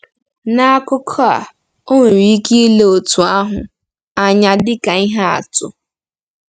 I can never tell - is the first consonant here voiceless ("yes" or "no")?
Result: no